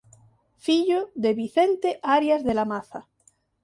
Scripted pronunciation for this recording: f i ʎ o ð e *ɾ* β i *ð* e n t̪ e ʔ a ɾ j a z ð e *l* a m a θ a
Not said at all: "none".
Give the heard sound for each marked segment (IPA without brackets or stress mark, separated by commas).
none, θ, l